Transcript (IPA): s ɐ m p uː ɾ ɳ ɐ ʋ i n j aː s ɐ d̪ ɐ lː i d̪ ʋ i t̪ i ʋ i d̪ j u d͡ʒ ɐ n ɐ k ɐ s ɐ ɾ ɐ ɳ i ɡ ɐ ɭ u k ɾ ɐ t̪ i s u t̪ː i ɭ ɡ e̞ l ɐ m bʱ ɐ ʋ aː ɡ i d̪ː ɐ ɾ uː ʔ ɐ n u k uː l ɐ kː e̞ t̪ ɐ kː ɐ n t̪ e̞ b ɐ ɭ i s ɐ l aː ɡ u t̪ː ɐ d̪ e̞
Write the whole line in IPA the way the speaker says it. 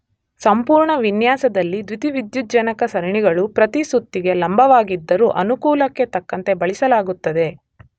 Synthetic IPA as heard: s ɐ m p uː ɾ ɳ ɐ ʋ i n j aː s ɐ d̪ ɐ lː i d̪ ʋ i t̪ i ʋ i d̪ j u d͡ʒ ɐ n ɐ k ɐ s ɐ ɾ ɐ ɳ i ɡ ɐ ɭ u p ɾ ɐ t̪ i s u t̪ː i ɡ e̞ l ɐ m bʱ ɐ ʋ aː ɡ i d̪ː ɐ ɾ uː ʔ ɐ n u k uː l ɐ kː e̞ t̪ ɐ kː ɐ n t̪ e̞ b ɐ ɭ i s ɐ l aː ɡ u t̪ː ɐ d̪ e̞

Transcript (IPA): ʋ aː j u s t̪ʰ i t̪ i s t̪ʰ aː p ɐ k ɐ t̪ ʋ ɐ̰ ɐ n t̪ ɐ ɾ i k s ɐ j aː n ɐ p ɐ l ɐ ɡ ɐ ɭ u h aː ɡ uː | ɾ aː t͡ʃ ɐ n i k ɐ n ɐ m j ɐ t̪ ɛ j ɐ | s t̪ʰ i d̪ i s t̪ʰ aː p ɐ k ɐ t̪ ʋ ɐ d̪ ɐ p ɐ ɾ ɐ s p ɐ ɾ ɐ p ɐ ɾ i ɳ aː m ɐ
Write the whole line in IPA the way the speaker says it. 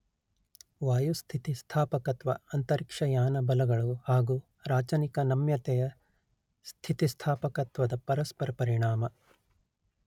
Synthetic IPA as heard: ʋ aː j u s t̪ʰ i t̪ i s t̪ʰ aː p ɐ k ɐ t̪ ʋ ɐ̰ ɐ n t̪ ɐ ɾ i k ʂ ɐ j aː n ɐ b ɐ l ɐ ɡ ɐ ɭ u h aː ɡ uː | ɾ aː t͡ʃ ɐ n i k ɐ n ɐ m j ɐ t̪ ɛ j ɐ | s t̪ʰ i t̪ i s t̪ʰ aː p ɐ k ɐ t̪ ʋ ɐ d̪ ɐ p ɐ ɾ ɐ s p ɐ ɾ ɐ p ɐ ɾ i ɳ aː m ɐ

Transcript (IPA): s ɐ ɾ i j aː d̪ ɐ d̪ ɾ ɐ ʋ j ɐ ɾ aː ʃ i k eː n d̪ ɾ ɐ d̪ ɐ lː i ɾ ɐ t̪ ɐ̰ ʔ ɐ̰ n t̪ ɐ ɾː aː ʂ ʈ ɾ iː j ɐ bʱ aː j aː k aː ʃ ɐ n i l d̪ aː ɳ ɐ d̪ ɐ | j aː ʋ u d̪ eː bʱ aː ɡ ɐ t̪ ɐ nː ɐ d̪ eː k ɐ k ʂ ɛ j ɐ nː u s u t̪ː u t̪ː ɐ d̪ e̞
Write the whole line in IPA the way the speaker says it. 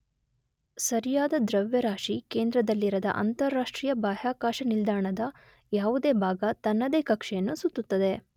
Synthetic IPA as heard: s ɐ ɾ i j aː d̪ ɐ d̪ ɾ ɐ ʋ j ɐ ɾ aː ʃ i k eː n d̪ ɾ ɐ d̪ ɐ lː i ɾ ɐ d̪ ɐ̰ ʔ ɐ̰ n t̪ ɐ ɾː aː ʂ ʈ ɾ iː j ɐ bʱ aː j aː k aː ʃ ɐ n i l d̪ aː ɳ ɐ d̪ ɐ | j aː ʋ u d̪ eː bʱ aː ɡ ɐ t̪ ɐ nː ɐ d̪ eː k ɐ k ʂ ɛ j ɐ nː u s u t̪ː u t̪ː ɐ d̪ e̞

